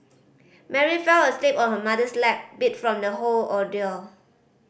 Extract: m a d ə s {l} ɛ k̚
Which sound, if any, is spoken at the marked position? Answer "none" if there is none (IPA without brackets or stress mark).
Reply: l